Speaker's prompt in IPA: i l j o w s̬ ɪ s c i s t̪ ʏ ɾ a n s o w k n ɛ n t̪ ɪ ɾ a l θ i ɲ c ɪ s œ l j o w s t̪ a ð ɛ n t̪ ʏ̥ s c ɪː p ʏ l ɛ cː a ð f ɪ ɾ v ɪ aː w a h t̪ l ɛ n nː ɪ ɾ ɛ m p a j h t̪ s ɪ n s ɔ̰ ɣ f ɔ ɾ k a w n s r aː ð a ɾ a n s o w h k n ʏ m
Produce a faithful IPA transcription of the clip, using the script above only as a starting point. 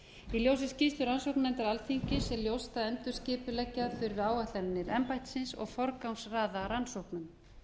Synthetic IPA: i l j o w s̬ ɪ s c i s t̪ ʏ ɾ a n s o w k n ɛ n t̪ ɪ ɾ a l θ i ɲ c ɪ s ɛ l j o w s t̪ a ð ɛ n t̪ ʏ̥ s c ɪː p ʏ l ɛ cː a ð f ɪ ɾ v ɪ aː w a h t̪ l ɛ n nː ɪ ɾ ɛ m p a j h t̪ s ɪ n s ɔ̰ ɣ f ɔ ɾ k a w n s r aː ð a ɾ a n s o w h k n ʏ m